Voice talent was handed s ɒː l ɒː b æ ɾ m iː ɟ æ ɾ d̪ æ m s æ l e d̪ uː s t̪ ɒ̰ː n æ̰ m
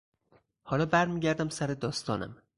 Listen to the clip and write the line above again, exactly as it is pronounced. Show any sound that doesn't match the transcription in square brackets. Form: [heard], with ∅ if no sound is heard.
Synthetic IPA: [h] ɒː l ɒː b æ ɾ m iː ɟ æ ɾ d̪ æ m s æ [ɾ] e d̪ [ɒː] s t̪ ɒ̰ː n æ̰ m